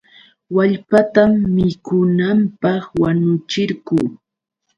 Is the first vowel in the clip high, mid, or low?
low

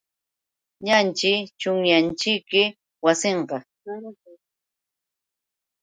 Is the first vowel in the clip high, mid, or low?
low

